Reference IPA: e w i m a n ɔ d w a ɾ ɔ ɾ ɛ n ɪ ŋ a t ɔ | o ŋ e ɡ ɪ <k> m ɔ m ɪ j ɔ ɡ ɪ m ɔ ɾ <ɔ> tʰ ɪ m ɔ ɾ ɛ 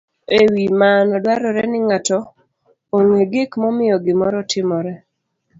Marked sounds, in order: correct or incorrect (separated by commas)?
correct, correct